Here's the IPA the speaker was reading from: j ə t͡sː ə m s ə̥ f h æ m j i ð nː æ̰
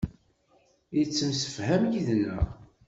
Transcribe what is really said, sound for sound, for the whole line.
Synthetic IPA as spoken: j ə t͡sː ə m s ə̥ f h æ m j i ð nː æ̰